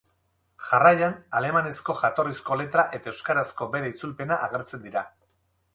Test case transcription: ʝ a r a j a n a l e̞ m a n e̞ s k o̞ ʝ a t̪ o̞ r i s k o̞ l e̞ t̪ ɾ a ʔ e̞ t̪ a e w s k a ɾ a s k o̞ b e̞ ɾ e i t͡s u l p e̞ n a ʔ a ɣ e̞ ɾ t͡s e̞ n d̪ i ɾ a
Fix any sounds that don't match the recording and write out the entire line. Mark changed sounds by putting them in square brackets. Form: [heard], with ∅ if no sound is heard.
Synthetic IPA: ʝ a r a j a n a l e̞ m a n e̞ s k o̞ ʝ a t̪ o̞ r i s k o̞ l e̞ t̪ ɾ a ʔ e̞ t̪ a e w s k a ɾ a s k o̞ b e̞ ɾ e i t͡s u l p e̞ n a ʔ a ɣ e̞ ɾ t͡s e̞ n d̪ i ɾ a

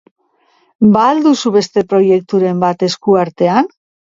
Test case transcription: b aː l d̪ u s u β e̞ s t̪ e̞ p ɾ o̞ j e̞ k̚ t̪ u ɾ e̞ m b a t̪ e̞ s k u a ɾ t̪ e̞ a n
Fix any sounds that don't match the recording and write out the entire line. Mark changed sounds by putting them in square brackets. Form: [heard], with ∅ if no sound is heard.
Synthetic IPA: b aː l d̪ u s u β e̞ s t̪ e̞ p ɾ o̞ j e̞ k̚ t̪ u ɾ e̞ m b a t̪ e̞ s k u a ɾ t̪ e̞ a n

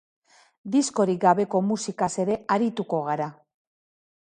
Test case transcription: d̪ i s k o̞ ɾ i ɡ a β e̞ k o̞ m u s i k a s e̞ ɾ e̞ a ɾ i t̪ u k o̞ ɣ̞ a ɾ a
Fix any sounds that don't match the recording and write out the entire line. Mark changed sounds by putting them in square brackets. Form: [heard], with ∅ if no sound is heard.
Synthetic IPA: d̪ i s k o̞ ɾ i ɡ a β e̞ k o̞ m u s i k a s e̞ ɾ e̞ a ɾ i t̪ u k o̞ ɣ̞ a ɾ a

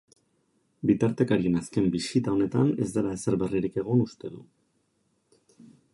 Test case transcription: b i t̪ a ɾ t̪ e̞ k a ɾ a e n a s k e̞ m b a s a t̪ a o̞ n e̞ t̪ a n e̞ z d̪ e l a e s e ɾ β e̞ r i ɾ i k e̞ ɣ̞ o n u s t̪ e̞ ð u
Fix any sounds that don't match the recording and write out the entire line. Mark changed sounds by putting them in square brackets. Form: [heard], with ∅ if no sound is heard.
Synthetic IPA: b i t̪ a ɾ t̪ e̞ k a ɾ [i] e n a s k e̞ m b [i] s [i] t̪ a o̞ n e̞ t̪ a n e̞ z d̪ e l a e s e ɾ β e̞ r i ɾ i k e̞ ɣ̞ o n u s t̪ e̞ ð u

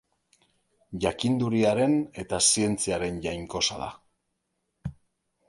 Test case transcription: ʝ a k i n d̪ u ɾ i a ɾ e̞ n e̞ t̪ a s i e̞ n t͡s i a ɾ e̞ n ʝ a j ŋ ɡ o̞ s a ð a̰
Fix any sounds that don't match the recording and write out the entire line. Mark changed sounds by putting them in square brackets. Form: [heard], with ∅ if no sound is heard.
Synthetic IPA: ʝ a k i n d̪ u ɾ i a ɾ e̞ n e̞ t̪ a s i e̞ n t͡s i a ɾ e̞ n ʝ a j ŋ [k] o̞ s a ð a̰

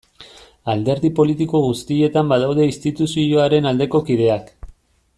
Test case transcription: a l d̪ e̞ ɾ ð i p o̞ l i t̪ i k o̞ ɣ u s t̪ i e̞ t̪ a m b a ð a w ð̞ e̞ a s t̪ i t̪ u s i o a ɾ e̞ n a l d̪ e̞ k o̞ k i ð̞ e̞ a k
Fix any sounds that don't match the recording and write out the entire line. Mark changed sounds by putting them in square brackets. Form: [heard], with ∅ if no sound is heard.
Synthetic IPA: a l d̪ e̞ ɾ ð i p o̞ l i t̪ i k o̞ ɣ u s t̪ i e̞ t̪ a m b a ð a w ð̞ e̞ [i] s t̪ i t̪ u s i o a ɾ e̞ n a l d̪ e̞ k o̞ k i ð̞ e̞ a k

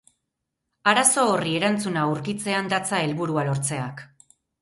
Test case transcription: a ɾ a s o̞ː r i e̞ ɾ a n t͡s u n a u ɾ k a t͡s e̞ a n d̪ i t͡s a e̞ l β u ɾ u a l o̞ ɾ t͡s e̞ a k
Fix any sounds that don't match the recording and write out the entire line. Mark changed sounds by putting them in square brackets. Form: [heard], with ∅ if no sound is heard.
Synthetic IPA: a ɾ a s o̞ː r i e̞ ɾ a n t͡s u n a u ɾ k [i] t͡s e̞ a n d̪ [a] t͡s a e̞ l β u ɾ u a l o̞ ɾ t͡s e̞ a k

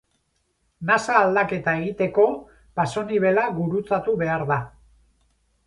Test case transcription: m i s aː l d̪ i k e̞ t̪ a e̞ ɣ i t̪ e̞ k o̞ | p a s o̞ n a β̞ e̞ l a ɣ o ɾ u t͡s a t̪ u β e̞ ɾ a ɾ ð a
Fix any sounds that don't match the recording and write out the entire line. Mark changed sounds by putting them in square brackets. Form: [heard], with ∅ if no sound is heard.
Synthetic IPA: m [a] s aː l d̪ [a] k e̞ t̪ a e̞ ɣ i t̪ e̞ k o̞ | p a s o̞ n [i] β̞ e̞ l a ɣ [u] ɾ u t͡s a t̪ u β e̞ [∅] a ɾ ð a

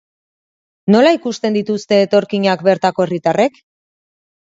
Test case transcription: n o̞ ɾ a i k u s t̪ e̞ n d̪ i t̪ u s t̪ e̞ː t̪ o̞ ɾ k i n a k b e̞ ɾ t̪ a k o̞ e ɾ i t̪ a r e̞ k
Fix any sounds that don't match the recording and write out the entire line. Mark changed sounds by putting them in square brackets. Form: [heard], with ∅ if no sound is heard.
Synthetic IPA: n o̞ [l] a i k u s t̪ e̞ n d̪ i t̪ u s t̪ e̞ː t̪ o̞ ɾ k i [ɲ] a k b e̞ ɾ t̪ a k o̞ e [r] i t̪ a r e̞ k

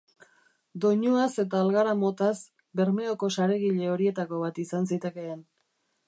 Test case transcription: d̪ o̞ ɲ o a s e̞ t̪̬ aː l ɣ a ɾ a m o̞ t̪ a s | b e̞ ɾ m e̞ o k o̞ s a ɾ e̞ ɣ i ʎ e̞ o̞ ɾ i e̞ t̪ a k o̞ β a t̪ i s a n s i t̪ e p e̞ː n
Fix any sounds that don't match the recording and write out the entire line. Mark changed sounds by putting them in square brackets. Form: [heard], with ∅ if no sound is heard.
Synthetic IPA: d̪ o̞ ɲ o a s e̞ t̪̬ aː l ɣ a ɾ a m o̞ t̪ a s | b e̞ ɾ m e̞ o k o̞ s a ɾ e̞ ɣ i ʎ e̞ o̞ ɾ i e̞ t̪ a k o̞ β a t̪ i s a n s i t̪ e [k] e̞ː n

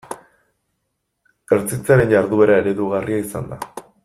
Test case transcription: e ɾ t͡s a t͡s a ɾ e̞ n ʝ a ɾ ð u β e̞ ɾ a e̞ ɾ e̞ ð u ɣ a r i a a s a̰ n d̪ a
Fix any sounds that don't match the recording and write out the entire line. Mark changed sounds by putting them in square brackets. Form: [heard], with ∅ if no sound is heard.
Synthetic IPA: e ɾ t͡s [i] t͡s a ɾ e̞ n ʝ a ɾ ð u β e̞ ɾ a e̞ ɾ e̞ ð u ɣ a r i a [i] s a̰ n d̪ a

